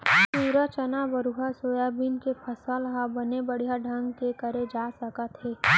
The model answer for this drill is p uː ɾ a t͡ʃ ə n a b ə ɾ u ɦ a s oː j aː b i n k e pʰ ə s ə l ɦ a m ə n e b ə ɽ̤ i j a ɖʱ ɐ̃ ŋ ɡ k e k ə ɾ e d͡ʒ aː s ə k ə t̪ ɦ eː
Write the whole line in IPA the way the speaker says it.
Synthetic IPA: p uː ɾ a t͡ʃ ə n a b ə ɾ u ɦ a s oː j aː b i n k e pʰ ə s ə l ɦ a b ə n e b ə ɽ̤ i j a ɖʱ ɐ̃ ŋ ɡ k e k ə ɾ e d͡ʒ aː s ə k ə t̪ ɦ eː